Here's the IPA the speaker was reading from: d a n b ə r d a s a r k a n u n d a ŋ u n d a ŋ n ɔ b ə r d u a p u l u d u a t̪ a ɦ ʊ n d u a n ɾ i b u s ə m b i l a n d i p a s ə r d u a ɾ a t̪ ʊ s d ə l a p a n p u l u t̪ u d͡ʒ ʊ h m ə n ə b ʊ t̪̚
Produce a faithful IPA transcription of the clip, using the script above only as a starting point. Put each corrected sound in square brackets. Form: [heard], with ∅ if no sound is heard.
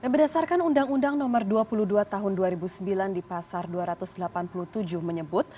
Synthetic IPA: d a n b ə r d a s a r k a n u n d a ŋ u n d a ŋ n ɔ [m] ə r d u a p u l u d u a t̪ a ɦ ʊ n d u a [∅] ɾ i b u s ə m b i l a n d i p a s [a] r d u a ɾ a t̪ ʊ s d ə l a p a n p u l u t̪ u d͡ʒ ʊ h m ə [ɲ] ə b ʊ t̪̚